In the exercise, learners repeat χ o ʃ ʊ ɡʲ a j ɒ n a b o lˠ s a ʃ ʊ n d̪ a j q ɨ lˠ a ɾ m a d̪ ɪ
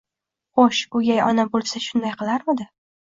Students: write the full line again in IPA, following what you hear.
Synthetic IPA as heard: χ o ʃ ʊ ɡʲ a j ɒ n a b o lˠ s a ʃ ʊ n d̪ a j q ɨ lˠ a ɾ m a d̪ ɪ